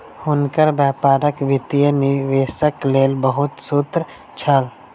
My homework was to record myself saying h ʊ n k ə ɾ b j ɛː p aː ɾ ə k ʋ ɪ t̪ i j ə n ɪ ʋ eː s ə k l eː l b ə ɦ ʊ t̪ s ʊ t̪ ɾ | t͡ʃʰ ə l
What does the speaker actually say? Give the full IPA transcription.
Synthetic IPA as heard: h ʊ n k ə ɾ b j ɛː p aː ɾ ə k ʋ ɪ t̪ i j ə n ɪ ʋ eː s ə k l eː l b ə ɦ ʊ t̪ s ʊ t̪ ɾ | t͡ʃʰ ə l